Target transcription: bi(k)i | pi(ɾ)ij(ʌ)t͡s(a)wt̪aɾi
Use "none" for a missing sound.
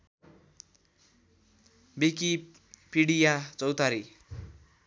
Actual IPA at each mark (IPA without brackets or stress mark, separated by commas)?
k, ɽ, a, ʌ